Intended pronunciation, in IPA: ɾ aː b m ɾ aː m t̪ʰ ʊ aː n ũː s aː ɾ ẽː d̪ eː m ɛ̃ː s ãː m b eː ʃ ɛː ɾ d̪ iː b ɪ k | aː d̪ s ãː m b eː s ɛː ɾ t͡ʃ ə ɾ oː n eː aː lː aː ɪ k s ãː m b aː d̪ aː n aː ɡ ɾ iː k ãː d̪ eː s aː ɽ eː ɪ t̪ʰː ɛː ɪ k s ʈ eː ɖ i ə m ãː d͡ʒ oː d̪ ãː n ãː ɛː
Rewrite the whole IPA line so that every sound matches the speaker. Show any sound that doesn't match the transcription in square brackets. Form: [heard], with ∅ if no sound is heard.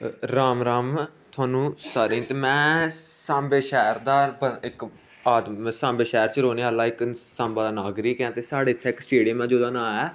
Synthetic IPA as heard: ɾ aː [∅] m ɾ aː m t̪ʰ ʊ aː n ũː s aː ɾ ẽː [t̪] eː m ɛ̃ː s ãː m b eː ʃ ɛː ɾ d̪ [aː] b ɪ k | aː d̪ s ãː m b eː [ʃ] ɛː ɾ t͡ʃ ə ɾ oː n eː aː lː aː ɪ k s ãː m b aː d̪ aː n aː ɡ ɾ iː k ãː [t̪] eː s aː ɽ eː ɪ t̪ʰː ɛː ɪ k s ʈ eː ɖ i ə m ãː d͡ʒ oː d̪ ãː n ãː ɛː